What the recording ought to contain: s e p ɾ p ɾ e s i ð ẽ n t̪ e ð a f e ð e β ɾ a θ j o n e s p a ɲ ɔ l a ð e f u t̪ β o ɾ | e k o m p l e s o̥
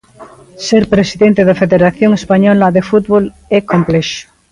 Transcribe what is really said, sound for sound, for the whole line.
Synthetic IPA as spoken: s e ɾ p ɾ e s i ð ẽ n t̪ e ð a f e ð e ɾ a θ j o ŋ e s p a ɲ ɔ l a ð e f u t̪ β o l | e k o m p l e ʃ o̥